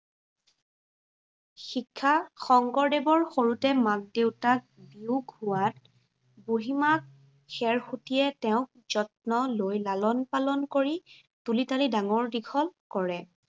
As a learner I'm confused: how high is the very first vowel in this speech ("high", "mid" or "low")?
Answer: high